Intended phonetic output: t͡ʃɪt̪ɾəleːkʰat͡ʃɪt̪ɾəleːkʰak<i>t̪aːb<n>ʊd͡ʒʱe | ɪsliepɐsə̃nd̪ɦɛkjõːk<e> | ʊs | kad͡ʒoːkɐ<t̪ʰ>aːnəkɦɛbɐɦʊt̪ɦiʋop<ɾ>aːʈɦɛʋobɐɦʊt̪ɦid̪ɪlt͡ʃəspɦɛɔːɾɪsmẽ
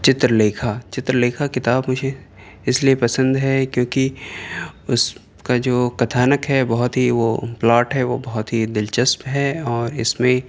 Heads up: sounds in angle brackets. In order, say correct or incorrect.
incorrect, incorrect, incorrect, correct, incorrect

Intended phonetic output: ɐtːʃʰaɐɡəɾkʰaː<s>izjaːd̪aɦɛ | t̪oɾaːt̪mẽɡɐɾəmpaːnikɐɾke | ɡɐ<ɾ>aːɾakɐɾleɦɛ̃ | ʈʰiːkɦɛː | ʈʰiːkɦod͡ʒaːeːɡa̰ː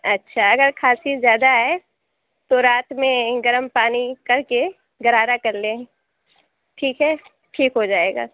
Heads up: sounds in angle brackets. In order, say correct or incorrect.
correct, correct

